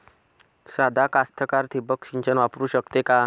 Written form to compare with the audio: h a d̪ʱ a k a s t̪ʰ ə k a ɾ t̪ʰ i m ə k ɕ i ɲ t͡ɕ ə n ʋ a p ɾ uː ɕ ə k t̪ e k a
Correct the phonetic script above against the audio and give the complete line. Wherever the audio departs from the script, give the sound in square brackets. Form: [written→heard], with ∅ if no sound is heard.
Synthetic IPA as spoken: [h→s] a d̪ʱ a k a s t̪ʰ ə k a ɾ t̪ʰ i [m→b] ə k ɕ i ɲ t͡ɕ ə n ʋ a p ɾ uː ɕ ə k t̪ e k a